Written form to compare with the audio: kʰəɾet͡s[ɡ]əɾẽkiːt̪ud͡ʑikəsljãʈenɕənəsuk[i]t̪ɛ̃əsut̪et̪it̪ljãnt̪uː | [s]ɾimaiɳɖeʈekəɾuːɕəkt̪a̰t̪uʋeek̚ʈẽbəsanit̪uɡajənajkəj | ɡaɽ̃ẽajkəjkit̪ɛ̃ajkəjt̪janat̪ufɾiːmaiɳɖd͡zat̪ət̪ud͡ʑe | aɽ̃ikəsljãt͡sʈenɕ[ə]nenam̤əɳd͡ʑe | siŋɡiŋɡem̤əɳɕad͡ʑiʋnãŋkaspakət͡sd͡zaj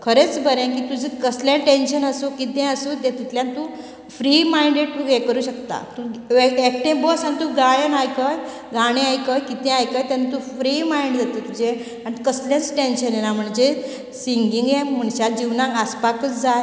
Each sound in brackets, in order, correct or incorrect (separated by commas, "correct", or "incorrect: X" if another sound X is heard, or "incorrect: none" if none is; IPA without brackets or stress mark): incorrect: b, correct, incorrect: f, correct